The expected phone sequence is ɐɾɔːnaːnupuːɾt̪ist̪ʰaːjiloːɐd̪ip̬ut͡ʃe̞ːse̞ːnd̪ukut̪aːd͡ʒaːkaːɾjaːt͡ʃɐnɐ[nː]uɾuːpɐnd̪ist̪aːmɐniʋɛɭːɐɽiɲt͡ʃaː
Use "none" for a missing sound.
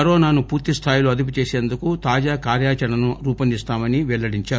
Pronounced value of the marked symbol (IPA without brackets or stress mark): n